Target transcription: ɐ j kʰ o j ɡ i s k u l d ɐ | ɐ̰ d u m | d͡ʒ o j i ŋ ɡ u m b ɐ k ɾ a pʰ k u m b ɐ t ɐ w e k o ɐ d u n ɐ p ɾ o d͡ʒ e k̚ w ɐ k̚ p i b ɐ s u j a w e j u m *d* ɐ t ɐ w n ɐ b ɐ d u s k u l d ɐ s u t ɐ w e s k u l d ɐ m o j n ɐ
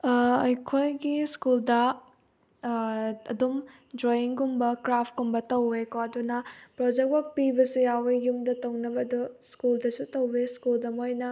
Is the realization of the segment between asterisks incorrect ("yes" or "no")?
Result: no